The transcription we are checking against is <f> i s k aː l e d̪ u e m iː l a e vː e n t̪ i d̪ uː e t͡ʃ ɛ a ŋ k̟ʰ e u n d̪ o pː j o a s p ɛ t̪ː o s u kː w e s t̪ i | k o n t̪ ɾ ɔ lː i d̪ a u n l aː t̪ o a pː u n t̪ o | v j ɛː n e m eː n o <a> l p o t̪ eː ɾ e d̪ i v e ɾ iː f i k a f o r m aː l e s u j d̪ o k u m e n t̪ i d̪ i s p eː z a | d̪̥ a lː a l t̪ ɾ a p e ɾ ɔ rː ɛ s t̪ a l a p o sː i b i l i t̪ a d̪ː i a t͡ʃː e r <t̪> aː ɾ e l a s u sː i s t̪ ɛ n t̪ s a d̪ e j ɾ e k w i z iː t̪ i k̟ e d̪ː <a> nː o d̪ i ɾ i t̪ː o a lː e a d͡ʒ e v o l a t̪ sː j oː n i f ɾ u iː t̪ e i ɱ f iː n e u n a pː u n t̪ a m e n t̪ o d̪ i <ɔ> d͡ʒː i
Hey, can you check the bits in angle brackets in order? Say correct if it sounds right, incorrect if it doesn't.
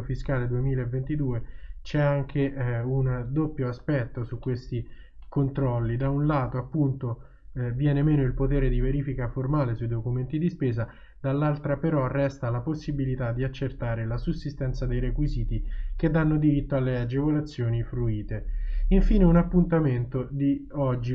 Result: correct, incorrect: i, correct, correct, correct

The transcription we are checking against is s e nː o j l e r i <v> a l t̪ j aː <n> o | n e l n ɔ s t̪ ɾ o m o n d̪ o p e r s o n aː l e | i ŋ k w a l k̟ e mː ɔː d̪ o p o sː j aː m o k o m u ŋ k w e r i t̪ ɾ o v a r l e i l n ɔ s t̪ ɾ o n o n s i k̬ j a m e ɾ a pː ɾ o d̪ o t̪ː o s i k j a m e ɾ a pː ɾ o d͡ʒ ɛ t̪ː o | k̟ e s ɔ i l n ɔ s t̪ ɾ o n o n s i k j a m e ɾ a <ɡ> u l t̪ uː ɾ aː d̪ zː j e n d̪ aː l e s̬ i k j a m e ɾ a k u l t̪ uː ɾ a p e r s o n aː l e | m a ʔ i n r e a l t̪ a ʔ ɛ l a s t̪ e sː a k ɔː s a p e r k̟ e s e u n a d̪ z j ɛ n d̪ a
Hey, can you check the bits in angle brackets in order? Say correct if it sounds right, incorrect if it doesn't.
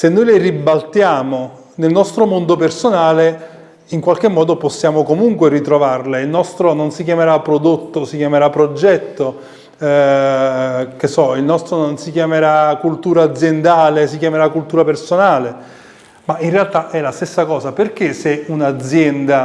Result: incorrect: b, incorrect: m, incorrect: k

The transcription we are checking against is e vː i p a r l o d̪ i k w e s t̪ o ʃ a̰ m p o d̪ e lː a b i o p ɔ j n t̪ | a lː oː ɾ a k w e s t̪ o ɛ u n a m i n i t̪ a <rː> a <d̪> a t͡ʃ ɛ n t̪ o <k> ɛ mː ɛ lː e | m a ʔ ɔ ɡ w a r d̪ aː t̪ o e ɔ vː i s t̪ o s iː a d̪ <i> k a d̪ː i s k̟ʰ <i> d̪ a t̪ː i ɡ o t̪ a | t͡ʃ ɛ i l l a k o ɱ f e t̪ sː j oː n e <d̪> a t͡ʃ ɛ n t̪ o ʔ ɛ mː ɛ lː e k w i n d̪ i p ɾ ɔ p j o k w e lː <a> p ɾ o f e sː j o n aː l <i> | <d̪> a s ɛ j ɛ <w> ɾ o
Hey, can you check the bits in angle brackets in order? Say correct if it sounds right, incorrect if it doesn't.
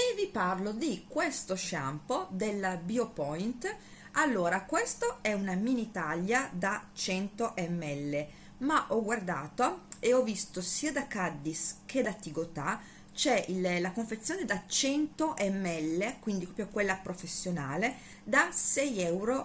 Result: incorrect: ʎː, correct, incorrect: ʔ, incorrect: a, incorrect: e, correct, correct, incorrect: e, correct, correct

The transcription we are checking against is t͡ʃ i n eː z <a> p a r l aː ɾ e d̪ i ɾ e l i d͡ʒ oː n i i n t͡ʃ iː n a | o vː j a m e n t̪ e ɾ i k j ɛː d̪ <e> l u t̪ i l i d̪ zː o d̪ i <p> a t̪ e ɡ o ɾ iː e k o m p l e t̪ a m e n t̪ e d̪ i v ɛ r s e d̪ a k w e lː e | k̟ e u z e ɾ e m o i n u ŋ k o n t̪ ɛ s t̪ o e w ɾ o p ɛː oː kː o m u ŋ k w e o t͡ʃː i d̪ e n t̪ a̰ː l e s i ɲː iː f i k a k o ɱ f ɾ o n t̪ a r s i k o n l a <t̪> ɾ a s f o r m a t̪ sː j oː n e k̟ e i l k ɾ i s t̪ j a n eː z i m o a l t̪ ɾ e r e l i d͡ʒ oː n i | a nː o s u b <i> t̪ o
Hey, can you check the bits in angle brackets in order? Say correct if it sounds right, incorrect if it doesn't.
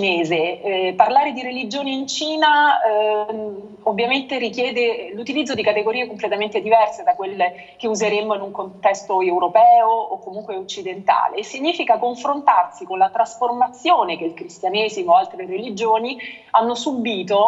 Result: incorrect: e, correct, incorrect: k, correct, incorrect: iː

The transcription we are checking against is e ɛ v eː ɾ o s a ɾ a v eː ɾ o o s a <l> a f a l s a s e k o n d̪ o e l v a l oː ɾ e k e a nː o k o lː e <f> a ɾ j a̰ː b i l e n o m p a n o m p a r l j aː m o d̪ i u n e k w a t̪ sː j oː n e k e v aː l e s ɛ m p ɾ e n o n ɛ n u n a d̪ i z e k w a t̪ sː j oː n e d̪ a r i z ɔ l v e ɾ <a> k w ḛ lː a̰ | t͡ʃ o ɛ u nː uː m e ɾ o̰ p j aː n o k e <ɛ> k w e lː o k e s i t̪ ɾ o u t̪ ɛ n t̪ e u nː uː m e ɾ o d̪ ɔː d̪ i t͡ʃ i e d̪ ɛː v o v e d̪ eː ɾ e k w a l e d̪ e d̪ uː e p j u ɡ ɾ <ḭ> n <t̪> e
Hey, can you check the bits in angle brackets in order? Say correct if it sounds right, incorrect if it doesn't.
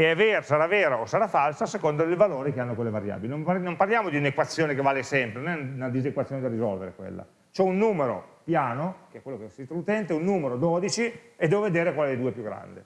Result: incorrect: ɾ, incorrect: v, incorrect: e, correct, incorrect: a̰, incorrect: d̪

